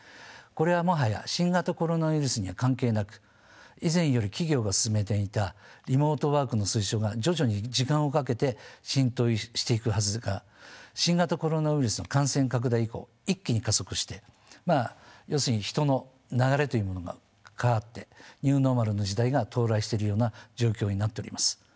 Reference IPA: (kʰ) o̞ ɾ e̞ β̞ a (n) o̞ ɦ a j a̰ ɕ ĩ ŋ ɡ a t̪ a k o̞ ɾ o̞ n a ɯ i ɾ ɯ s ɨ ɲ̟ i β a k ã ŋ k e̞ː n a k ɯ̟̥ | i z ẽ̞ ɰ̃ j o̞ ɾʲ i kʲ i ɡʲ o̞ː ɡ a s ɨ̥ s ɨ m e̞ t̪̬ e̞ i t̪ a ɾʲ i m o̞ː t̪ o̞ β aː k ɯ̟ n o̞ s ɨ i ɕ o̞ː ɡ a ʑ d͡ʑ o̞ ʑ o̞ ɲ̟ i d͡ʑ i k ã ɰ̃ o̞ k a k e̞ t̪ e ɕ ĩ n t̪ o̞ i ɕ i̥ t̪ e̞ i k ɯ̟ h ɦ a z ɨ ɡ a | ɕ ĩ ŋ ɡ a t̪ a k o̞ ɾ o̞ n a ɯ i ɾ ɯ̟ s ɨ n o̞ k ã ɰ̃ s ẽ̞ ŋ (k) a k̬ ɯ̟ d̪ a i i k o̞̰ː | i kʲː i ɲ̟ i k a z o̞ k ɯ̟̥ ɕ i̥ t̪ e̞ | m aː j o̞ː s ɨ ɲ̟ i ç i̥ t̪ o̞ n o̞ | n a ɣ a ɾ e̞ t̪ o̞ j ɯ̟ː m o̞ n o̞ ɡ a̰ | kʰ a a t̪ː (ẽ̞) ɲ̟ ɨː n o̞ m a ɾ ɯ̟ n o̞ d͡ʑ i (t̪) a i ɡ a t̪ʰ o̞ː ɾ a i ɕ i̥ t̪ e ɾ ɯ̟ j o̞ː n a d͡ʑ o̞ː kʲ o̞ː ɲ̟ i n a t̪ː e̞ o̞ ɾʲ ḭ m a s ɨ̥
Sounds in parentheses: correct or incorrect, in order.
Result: incorrect: k, incorrect: m, correct, incorrect: e̞, incorrect: d̪

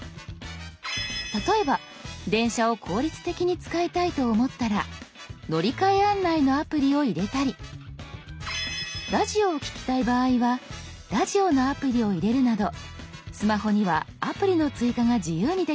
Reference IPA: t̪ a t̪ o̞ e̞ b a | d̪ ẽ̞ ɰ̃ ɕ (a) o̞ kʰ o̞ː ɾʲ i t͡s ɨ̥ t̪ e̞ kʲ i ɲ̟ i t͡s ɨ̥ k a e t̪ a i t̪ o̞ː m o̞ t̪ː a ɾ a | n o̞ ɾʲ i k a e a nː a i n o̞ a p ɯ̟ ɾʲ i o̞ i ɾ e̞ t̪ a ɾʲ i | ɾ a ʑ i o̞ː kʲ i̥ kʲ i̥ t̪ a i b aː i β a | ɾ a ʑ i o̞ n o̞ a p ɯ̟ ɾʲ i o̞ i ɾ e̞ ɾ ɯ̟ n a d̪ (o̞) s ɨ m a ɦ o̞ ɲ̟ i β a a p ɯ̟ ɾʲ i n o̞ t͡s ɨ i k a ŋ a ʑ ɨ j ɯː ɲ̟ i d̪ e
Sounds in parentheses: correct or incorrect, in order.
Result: correct, correct

